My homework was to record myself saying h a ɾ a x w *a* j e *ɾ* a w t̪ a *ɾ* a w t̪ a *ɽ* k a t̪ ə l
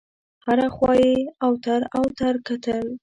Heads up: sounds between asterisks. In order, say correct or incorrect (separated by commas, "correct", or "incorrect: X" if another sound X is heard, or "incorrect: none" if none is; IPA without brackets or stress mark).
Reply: incorrect: ɑ, incorrect: none, correct, incorrect: ɾ